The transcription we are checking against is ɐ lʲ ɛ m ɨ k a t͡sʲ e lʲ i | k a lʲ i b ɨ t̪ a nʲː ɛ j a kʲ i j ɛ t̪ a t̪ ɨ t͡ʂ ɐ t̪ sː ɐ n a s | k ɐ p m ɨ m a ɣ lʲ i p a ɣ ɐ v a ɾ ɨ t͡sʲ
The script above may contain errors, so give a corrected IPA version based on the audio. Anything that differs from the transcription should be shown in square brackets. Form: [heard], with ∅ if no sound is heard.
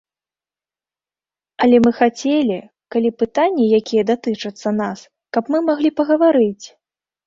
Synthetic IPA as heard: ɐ lʲ ɛ m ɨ [x] a t͡sʲ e lʲ i | k a lʲ i [p] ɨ t̪ a nʲː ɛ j a kʲ i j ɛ [d̪] a t̪ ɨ t͡ʂ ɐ t̪ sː ɐ n a s | k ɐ p m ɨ m a ɣ lʲ i p [ɐ] ɣ ɐ v a ɾ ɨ t͡sʲ